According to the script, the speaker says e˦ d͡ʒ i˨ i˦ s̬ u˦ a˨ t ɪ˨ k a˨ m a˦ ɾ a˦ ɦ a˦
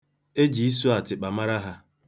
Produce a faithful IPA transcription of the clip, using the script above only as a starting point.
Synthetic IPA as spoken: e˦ d͡ʒ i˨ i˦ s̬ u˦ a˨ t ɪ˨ k͡p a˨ m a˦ ɾ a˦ ɦ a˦